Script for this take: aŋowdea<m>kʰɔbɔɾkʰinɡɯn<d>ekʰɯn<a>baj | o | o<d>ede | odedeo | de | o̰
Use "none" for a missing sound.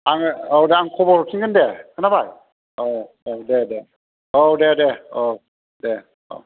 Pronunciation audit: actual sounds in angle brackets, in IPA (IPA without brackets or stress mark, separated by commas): ŋ, d, a, d